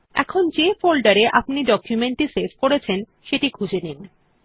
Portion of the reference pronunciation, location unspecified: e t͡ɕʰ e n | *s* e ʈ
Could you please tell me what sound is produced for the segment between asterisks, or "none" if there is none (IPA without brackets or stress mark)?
ʃ